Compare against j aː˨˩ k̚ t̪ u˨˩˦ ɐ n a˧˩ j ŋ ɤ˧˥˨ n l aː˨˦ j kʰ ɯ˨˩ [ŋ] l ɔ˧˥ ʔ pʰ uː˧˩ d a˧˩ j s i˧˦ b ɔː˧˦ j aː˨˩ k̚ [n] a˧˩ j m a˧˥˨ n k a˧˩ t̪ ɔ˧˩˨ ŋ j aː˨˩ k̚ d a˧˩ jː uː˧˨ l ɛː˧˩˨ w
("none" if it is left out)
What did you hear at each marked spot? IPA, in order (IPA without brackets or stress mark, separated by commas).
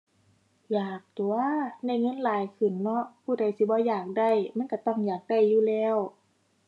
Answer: n, d